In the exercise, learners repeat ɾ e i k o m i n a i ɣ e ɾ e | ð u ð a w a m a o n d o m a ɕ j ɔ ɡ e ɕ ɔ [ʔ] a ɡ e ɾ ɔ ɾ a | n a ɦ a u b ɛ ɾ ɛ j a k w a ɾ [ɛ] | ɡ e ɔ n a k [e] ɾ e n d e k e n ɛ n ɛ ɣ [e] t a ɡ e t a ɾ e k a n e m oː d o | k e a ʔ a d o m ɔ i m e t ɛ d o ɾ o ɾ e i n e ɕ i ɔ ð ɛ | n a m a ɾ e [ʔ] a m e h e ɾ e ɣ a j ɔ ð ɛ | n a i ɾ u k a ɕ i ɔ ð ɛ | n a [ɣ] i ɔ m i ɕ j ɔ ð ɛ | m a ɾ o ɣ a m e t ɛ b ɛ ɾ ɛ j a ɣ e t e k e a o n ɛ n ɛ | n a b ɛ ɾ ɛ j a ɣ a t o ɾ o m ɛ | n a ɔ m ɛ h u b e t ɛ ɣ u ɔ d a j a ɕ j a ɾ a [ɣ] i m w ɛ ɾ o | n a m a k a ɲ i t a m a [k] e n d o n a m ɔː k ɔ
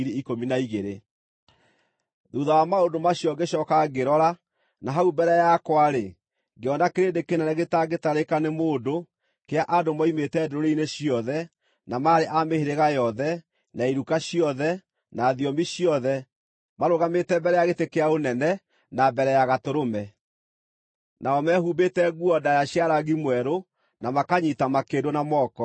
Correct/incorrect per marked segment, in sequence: incorrect: k, incorrect: e, correct, correct, correct, incorrect: ð, correct, correct

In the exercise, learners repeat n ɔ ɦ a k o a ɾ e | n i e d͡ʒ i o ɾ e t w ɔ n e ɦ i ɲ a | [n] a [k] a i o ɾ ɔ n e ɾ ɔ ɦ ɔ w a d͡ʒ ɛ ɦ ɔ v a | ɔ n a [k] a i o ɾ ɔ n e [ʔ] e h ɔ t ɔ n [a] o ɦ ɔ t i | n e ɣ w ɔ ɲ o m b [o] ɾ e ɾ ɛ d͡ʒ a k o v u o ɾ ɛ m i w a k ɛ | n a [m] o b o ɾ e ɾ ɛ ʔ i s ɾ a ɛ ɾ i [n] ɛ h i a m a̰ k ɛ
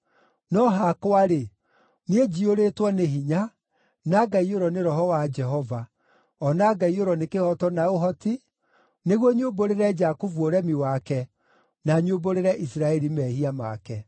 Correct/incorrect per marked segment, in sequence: correct, incorrect: ɡ, incorrect: ɡ, incorrect: k, correct, correct, incorrect: ɲ, incorrect: m

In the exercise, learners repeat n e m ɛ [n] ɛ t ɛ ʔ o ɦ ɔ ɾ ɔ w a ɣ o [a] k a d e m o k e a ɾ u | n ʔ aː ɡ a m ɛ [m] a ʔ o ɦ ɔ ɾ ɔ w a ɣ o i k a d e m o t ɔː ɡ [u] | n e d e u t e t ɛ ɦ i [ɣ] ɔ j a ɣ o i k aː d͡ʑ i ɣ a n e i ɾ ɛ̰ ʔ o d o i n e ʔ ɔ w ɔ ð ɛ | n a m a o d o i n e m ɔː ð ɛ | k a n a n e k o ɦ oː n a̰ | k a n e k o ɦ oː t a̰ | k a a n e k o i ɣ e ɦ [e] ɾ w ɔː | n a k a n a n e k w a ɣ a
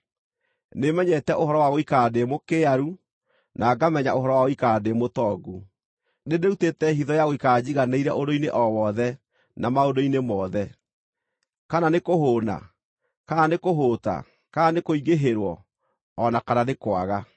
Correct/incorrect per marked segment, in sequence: incorrect: ɲ, incorrect: i, incorrect: ɲ, correct, incorrect: ð, correct

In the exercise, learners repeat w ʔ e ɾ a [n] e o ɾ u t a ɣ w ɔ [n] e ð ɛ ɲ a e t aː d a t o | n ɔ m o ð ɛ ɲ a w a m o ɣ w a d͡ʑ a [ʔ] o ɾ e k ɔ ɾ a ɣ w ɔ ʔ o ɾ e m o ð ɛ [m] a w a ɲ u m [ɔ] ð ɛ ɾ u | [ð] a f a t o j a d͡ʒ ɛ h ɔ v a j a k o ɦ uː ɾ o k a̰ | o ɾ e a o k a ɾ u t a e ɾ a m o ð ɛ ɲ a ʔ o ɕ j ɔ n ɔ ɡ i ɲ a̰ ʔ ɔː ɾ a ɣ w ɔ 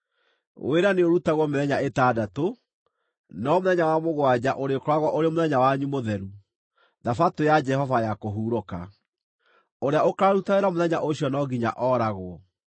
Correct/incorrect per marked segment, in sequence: correct, incorrect: m, correct, incorrect: ɲ, incorrect: o, correct

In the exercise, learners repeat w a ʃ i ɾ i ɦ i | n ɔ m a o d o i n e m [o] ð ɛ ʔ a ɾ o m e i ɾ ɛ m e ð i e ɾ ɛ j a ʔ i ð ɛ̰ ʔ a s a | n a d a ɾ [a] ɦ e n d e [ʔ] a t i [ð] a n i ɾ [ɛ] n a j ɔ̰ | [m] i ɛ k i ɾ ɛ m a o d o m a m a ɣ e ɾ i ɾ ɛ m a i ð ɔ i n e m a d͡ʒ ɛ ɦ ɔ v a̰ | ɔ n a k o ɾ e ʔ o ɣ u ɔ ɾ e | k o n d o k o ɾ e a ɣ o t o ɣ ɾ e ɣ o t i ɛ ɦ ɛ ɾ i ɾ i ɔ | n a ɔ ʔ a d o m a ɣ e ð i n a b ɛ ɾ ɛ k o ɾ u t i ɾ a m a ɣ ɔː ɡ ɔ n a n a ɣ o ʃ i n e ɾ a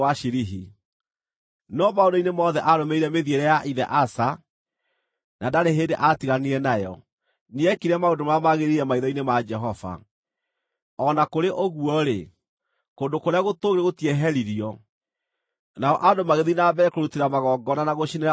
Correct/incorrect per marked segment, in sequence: incorrect: ɔ, incorrect: e, correct, incorrect: ɣ, correct, incorrect: n

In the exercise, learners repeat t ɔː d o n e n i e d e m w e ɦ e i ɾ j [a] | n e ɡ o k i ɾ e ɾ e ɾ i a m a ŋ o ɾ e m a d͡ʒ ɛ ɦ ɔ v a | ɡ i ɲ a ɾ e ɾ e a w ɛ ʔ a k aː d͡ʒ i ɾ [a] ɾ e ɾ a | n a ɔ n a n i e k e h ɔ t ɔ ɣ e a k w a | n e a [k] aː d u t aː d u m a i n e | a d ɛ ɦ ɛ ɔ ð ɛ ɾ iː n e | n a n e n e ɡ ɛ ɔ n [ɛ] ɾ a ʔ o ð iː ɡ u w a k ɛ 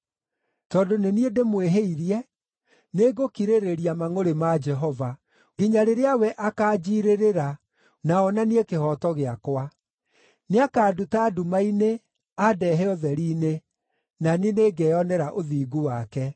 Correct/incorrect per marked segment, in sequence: incorrect: ɛ, incorrect: e, correct, correct

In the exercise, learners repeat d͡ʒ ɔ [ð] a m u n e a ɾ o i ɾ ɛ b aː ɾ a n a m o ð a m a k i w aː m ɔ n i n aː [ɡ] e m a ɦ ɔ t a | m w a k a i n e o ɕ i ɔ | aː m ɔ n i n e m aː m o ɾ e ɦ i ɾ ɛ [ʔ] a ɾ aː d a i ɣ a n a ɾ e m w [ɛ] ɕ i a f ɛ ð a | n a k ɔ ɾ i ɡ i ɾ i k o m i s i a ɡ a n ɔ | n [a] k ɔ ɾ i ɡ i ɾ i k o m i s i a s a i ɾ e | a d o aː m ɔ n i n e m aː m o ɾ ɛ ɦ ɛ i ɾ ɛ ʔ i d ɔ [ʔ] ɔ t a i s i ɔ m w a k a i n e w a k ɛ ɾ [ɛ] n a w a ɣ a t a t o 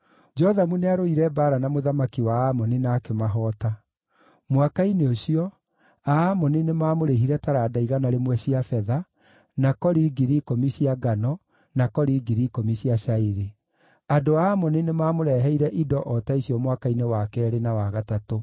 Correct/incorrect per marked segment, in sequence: correct, incorrect: k, incorrect: t, correct, correct, correct, incorrect: e

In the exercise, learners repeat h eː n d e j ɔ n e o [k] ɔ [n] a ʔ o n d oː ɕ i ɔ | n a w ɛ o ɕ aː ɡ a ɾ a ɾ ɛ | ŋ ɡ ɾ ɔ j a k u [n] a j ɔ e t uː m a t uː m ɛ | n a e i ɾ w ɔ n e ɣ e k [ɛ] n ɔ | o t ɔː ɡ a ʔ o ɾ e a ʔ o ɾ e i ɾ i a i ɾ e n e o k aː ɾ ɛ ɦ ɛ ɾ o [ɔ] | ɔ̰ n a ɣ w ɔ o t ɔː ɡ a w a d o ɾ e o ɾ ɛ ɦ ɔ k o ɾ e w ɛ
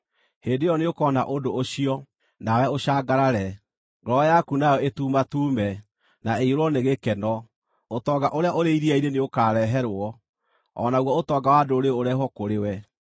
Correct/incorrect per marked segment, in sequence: correct, correct, correct, correct, correct

